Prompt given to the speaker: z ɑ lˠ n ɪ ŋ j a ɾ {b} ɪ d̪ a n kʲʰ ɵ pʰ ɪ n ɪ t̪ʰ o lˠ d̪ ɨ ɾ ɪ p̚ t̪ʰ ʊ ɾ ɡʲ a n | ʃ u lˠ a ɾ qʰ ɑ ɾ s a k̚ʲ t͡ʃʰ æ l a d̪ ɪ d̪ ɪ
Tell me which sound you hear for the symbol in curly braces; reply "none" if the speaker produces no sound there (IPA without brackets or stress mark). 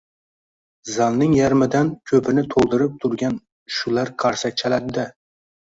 m